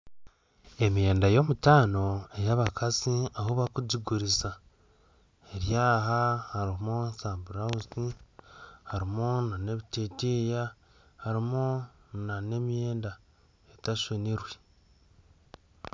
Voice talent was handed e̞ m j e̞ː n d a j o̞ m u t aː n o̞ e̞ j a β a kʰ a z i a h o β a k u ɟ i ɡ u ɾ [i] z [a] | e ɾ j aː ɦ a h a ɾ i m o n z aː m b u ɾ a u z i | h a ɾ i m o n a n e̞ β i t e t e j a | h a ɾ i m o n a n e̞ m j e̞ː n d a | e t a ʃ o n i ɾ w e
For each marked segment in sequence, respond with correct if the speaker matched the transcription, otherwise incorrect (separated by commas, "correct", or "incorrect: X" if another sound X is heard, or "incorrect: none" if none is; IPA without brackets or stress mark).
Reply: correct, correct